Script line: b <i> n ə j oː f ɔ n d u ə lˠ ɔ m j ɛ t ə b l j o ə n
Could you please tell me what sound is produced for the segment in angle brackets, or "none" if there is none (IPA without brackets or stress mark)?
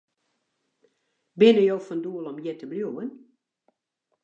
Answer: ɪ